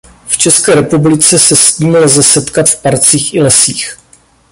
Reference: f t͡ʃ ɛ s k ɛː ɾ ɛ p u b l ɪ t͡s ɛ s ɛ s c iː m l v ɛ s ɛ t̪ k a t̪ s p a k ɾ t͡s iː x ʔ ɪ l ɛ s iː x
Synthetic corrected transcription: f t͡ʃ ɛ s k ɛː ɾ ɛ p u b l ɪ t͡s ɛ s ɛ s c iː m l z ɛ s ɛ t̪ k a t̪ f p a ɾ t͡s iː x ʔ ɪ l ɛ s iː x